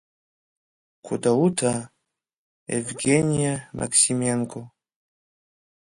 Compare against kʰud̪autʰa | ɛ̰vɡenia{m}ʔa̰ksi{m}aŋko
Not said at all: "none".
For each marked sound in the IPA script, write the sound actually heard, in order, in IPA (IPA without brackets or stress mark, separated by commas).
m, m